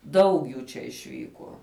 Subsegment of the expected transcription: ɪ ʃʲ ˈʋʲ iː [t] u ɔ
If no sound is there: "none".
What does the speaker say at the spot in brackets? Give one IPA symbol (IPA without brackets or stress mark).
k